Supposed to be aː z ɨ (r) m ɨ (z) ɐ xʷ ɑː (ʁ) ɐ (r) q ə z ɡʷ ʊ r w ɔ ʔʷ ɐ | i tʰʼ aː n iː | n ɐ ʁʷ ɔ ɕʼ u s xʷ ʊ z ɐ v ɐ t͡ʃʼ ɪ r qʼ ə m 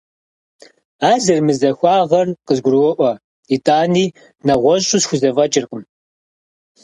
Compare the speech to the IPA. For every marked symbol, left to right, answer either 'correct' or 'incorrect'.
correct, correct, correct, correct

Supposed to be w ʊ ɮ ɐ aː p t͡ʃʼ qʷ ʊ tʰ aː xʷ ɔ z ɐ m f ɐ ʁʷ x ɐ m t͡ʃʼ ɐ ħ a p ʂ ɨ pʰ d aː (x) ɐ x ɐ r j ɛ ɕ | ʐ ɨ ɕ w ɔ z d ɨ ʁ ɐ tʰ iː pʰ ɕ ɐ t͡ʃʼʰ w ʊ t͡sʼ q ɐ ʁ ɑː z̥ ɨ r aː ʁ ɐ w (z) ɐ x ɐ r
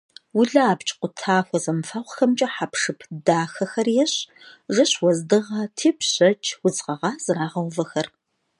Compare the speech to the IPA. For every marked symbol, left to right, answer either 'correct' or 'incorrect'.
correct, incorrect

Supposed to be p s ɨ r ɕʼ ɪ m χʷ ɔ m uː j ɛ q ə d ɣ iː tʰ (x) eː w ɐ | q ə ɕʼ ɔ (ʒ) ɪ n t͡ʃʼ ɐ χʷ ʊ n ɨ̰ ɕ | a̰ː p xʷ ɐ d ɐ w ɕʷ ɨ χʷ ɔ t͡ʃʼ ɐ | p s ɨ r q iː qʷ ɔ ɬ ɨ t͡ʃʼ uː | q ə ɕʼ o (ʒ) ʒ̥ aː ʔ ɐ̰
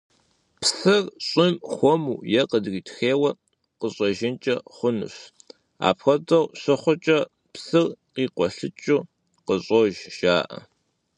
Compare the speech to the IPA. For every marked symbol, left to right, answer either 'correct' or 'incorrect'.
correct, correct, correct

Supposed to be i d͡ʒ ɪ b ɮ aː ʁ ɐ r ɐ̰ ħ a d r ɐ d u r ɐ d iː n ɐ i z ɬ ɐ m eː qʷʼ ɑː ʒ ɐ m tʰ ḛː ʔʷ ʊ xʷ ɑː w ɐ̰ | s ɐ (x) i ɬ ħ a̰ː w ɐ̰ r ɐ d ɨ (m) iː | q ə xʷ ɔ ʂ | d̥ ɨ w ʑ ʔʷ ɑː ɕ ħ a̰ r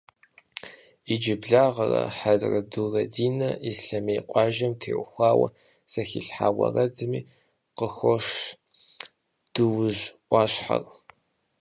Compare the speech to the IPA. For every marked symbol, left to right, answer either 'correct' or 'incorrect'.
correct, correct

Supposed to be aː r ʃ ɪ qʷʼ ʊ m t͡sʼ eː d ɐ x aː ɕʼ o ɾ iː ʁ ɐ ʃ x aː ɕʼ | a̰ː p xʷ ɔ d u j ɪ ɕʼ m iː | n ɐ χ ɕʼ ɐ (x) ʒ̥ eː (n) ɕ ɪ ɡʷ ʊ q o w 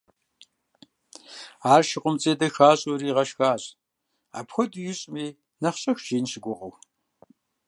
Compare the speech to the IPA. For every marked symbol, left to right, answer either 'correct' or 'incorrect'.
correct, correct

